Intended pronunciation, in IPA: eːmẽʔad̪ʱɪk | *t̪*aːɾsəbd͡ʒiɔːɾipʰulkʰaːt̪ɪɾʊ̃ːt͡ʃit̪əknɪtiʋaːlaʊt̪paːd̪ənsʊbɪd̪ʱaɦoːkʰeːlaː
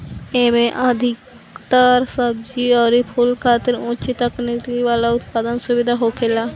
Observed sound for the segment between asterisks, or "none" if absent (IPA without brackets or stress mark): t̪